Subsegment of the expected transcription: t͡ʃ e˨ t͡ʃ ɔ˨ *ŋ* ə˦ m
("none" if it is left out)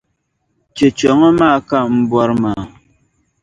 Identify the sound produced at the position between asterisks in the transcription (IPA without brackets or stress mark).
ŋ